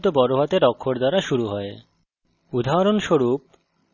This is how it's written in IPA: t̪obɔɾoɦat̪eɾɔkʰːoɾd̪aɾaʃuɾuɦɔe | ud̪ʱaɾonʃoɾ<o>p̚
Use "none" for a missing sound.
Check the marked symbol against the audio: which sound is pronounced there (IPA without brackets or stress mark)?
u